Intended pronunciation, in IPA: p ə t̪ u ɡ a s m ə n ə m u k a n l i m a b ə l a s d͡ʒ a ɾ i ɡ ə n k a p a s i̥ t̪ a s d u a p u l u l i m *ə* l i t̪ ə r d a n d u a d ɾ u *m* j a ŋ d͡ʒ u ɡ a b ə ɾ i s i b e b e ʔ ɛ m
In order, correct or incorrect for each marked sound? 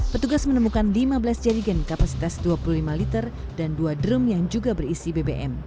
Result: incorrect: a, correct

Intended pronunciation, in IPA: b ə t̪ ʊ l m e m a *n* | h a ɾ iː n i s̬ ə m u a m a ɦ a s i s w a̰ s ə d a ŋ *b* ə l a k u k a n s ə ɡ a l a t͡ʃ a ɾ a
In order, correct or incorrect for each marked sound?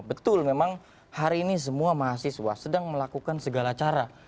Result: incorrect: ŋ, incorrect: m

